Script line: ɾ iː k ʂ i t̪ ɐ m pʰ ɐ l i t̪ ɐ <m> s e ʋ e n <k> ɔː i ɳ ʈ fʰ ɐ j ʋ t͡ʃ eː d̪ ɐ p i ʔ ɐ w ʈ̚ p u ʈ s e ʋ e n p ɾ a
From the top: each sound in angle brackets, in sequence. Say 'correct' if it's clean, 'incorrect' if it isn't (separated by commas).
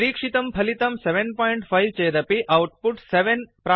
correct, incorrect